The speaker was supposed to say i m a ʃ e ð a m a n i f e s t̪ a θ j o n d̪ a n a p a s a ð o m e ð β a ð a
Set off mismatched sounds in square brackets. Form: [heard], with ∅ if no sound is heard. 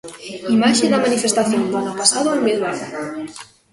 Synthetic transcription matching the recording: i m a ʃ e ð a m a n i f e s t̪ a θ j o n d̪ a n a p a s a ð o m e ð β a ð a

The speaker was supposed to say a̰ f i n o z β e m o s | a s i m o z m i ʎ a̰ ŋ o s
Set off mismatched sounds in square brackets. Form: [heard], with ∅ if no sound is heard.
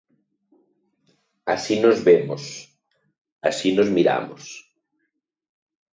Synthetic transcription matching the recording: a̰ [s] i n o z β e m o s | a s i [n] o z m i [ɾ] a̰ [m] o s

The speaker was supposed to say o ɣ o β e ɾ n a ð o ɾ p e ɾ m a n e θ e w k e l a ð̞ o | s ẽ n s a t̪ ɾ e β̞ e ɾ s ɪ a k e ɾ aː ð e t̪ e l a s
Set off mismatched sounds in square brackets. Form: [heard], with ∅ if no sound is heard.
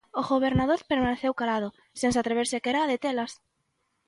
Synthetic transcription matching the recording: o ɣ o β e ɾ n a ð o ɾ p e ɾ m a n e θ e w k [a] l a ð̞ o | s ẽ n s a t̪ ɾ e β̞ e ɾ s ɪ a k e ɾ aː ð e t̪ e l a s

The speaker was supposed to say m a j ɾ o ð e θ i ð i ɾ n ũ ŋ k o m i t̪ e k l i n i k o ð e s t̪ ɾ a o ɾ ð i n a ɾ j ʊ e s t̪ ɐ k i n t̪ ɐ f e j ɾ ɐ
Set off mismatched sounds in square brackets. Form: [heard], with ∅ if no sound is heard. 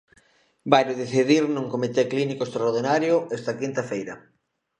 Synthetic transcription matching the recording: [b] a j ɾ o ð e θ i ð i ɾ n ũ ŋ k o m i t̪ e k l i n i k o [∅] e s t̪ ɾ a o ɾ ð i n a ɾ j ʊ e s t̪ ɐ k i n t̪ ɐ f e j ɾ ɐ

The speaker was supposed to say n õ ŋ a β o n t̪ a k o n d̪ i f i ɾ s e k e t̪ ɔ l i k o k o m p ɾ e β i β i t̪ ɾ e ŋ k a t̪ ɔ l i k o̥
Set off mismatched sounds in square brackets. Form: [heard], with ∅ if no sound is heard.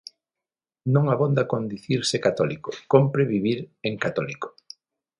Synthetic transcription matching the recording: n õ ŋ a β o n [d̪] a k o n d̪ i [θ] i ɾ s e k [a] t̪ ɔ l i k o k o m p ɾ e β i β i [∅] ɾ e ŋ k a t̪ ɔ l i k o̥

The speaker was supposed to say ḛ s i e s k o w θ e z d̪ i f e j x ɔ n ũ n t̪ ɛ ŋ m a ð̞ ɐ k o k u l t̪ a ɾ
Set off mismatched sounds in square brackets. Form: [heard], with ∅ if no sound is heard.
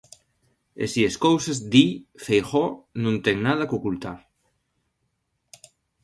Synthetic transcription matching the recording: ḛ s i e s k o w [s] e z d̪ i f e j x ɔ n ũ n t̪ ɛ ŋ [n] a ð̞ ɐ k o k u l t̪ a ɾ

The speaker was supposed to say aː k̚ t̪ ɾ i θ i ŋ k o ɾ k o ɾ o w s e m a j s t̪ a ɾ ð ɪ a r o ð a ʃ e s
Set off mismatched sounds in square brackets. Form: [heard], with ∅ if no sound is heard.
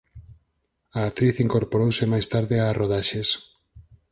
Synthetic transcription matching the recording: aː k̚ t̪ ɾ i θ i ŋ k o ɾ [p] o ɾ o w s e m a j s t̪ a ɾ ð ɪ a r o ð a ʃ e s

